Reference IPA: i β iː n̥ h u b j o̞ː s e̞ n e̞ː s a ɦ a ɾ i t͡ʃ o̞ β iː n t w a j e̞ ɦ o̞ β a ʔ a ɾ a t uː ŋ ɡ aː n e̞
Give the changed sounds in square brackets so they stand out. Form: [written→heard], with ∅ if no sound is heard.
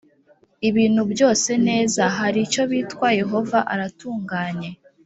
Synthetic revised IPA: i β iː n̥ h u b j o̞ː s e̞ n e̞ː [s→z] a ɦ a ɾ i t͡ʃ o̞ β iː [n→∅] t w a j e̞ ɦ o̞ [β→v] a ʔ a ɾ a t uː ŋ ɡ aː [n→ɲ] e̞